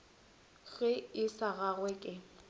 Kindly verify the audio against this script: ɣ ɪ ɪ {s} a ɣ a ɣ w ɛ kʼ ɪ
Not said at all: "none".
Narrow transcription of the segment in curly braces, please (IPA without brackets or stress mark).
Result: s